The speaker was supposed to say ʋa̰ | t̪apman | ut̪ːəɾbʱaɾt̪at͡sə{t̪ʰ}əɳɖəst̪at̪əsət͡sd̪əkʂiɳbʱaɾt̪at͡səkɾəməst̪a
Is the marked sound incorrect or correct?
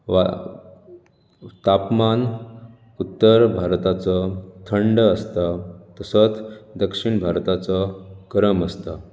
correct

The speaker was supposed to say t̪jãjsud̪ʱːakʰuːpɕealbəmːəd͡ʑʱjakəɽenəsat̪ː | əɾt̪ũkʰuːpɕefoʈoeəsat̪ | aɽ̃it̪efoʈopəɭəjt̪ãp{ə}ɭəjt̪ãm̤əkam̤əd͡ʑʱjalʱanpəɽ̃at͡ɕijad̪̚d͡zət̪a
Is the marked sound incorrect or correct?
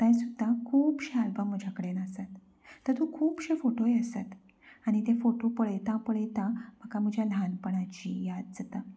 correct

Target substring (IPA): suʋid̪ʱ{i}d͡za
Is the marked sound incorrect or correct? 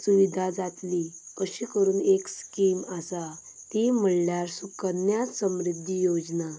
incorrect: a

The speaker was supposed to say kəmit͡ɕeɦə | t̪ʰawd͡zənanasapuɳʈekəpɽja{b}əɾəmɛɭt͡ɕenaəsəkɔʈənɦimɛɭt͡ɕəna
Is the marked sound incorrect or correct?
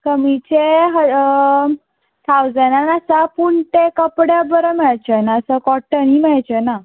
correct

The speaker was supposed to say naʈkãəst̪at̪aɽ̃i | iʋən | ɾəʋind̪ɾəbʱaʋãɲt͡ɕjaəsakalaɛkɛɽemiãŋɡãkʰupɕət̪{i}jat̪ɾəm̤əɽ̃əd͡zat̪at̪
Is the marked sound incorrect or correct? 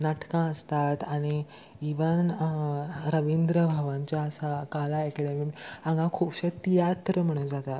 correct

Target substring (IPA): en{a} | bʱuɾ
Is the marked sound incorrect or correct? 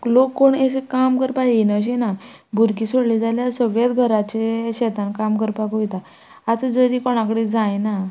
correct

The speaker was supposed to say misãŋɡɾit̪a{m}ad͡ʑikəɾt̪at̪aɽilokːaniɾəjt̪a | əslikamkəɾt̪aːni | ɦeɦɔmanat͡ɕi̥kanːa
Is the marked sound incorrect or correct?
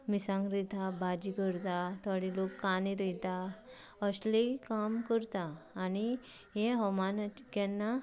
incorrect: b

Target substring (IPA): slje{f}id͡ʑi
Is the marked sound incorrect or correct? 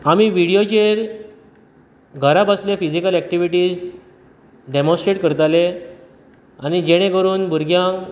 correct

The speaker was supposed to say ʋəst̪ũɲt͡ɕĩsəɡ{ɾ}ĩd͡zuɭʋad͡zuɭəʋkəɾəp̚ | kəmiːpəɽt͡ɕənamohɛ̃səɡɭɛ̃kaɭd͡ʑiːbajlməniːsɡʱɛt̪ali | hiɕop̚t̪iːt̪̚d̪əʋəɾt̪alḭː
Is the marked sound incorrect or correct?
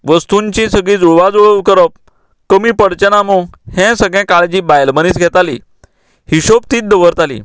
incorrect: ɭ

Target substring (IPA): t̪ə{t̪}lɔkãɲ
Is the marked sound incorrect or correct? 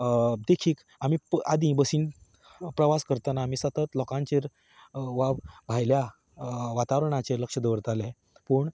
correct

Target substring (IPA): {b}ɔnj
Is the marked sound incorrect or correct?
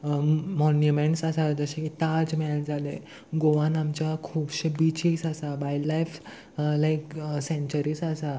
incorrect: m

